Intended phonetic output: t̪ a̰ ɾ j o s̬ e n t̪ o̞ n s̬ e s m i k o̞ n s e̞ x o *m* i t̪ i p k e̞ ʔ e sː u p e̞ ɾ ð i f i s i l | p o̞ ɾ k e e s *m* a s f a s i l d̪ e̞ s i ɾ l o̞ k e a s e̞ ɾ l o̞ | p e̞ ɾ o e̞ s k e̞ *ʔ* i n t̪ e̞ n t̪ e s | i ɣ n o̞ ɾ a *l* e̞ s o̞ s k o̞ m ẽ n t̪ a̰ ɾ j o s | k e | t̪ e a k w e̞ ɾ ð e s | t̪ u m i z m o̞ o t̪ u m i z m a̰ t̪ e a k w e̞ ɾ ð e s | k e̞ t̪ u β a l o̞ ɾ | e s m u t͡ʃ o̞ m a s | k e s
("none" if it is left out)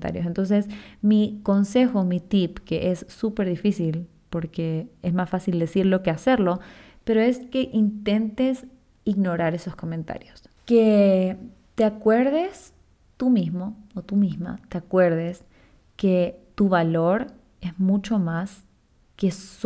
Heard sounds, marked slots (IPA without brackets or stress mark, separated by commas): m, m, ʔ, ɾ